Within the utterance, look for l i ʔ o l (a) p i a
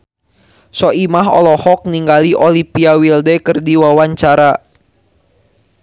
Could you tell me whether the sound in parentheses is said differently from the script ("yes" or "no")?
yes